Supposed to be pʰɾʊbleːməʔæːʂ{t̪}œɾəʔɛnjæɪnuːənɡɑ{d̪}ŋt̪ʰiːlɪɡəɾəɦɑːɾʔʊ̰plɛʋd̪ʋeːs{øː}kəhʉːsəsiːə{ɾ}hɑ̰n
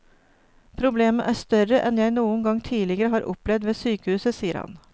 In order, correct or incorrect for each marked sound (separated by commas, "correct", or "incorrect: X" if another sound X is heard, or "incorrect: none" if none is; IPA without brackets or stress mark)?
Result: correct, incorrect: none, incorrect: yː, correct